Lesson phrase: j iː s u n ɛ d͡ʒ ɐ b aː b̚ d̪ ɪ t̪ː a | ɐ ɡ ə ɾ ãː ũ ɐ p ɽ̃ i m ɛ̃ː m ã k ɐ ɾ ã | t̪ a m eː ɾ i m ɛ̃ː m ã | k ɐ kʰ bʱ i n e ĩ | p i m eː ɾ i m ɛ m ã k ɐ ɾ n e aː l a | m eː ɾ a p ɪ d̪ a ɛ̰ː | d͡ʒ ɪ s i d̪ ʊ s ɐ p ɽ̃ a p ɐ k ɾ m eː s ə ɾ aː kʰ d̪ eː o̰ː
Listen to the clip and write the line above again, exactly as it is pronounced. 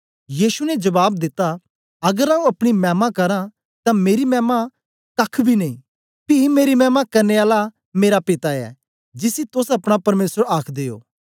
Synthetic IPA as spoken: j iː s u n ɛ d͡ʒ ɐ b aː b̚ d̪ ɪ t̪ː a | ɐ ɡ ə ɾ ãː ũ ɐ p ɽ̃ i m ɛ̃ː m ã k ɐ ɾ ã | t̪ a m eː ɾ i m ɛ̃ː m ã | k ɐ kʰ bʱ i n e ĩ | p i m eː ɾ i m ɛː m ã k ɐ ɾ n e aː l a | m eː ɾ a p ɪ t̪ a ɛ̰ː | d͡ʒ ɪ s i t̪ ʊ s ɐ p ɽ̃ a p ɐ ɾ m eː s ə ɾ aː kʰ d̪ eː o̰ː